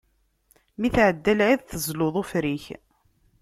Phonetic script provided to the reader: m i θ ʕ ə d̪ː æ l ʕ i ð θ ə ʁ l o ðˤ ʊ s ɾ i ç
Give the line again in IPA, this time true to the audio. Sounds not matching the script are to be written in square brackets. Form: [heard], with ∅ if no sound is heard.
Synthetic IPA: m i θ ʕ ə d̪ː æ l ʕ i ð θ ə [z] l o ðˤ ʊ [f] ɾ i ç